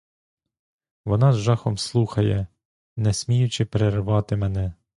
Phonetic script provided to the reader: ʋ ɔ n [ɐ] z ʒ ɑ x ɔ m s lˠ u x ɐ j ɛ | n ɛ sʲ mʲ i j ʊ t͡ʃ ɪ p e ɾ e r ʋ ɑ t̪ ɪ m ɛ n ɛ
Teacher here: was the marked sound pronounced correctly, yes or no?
no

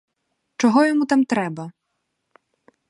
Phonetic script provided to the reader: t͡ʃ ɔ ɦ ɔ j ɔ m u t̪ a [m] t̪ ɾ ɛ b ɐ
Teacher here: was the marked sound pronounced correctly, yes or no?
yes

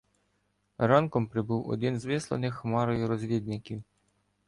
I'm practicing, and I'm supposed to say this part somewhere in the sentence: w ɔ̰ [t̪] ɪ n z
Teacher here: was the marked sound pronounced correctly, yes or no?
no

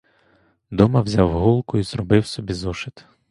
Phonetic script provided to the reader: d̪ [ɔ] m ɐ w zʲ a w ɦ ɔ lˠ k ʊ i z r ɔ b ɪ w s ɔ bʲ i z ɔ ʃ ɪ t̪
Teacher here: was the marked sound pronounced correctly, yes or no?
yes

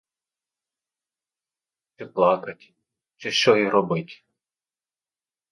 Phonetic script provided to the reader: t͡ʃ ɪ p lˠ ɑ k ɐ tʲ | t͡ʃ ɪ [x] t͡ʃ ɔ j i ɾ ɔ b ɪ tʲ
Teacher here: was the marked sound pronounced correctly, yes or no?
no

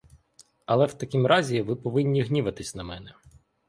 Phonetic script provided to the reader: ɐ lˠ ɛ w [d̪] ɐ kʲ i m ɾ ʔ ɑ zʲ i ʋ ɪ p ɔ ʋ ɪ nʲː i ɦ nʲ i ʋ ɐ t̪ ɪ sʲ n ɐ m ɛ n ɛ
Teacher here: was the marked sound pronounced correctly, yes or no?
no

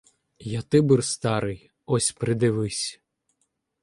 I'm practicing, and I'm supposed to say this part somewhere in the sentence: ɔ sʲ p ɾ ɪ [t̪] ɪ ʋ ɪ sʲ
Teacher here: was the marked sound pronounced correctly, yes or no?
no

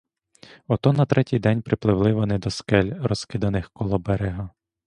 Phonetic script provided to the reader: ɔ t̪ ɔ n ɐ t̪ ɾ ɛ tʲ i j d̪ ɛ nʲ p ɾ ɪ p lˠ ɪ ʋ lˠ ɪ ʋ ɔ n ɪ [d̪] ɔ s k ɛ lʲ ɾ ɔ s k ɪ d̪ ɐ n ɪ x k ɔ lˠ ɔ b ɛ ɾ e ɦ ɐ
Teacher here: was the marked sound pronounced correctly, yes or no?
yes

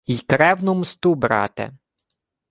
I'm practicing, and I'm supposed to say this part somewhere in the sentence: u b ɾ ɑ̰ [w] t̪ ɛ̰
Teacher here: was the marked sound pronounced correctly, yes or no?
no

